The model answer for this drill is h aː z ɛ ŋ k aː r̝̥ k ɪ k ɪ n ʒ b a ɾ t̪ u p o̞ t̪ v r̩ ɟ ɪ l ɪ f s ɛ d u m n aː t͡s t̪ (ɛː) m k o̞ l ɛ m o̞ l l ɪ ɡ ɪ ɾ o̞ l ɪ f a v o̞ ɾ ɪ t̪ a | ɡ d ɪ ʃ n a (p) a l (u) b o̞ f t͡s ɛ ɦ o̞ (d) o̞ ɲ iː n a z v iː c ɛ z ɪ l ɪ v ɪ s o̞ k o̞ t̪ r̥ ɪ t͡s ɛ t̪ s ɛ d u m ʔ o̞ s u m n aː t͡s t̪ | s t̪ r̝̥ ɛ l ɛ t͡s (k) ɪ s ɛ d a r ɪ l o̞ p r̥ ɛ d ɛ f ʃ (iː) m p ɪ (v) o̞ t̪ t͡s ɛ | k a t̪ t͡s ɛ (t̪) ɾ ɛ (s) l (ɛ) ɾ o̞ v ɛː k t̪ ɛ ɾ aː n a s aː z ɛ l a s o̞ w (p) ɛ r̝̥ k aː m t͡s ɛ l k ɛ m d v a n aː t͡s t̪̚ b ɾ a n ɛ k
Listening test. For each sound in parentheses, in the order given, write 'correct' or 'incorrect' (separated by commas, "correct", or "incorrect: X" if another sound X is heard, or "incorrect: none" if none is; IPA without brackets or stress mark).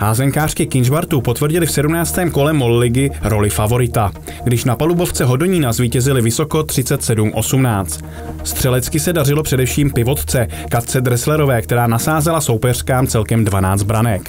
correct, correct, correct, correct, correct, correct, correct, incorrect: d̪, correct, correct, correct